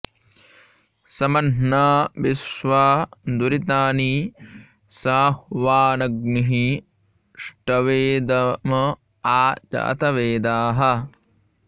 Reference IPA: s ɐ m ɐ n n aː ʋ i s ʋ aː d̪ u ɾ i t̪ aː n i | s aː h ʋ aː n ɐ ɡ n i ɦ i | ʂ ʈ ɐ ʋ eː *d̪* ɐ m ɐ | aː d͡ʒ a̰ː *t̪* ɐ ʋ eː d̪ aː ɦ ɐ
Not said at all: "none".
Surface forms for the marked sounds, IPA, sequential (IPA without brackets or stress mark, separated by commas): d̪, t̪